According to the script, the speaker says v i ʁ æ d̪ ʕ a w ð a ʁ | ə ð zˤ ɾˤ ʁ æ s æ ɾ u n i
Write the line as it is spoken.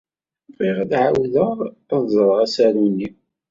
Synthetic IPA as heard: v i ʁ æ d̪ ʕ a w ð ə ʁ | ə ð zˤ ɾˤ ʁ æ s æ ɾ u n i